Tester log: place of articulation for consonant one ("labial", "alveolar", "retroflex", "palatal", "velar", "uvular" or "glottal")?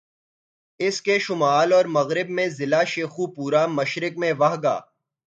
alveolar